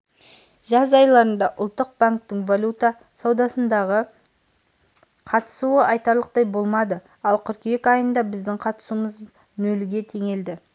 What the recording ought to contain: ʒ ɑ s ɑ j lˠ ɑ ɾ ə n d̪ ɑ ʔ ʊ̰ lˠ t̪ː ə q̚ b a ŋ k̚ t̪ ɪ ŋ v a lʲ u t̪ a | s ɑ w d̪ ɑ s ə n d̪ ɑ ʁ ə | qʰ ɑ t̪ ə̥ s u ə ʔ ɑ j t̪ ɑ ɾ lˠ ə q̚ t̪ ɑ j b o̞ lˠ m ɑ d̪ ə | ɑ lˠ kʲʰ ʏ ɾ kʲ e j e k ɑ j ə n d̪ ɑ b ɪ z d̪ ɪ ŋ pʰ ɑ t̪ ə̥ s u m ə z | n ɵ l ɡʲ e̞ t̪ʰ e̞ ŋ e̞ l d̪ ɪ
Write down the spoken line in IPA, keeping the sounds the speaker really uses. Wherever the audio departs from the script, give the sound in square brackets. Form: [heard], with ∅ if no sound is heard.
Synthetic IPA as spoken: ʒ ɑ [z] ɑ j lˠ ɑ ɾ ə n d̪ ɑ ʔ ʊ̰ lˠ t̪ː ə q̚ b a ŋ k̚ t̪ ɪ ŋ v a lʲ u t̪ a | s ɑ w d̪ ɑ s ə n d̪ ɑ ʁ ə | qʰ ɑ t̪ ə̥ s u ə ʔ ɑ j t̪ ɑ ɾ lˠ ə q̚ t̪ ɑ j b o̞ lˠ m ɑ d̪ ə | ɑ lˠ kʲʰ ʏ ɾ kʲ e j e k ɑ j ə n d̪ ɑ b ɪ z d̪ ɪ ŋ [qʰ] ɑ t̪ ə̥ s u m ə z | n ɵ l ɡʲ e̞ t̪ʰ e̞ ŋ e̞ l d̪ ɪ